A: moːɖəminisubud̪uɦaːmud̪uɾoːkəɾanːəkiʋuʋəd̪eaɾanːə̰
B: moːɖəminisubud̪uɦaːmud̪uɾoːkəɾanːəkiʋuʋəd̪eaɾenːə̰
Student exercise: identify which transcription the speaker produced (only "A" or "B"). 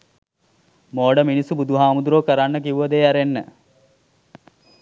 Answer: B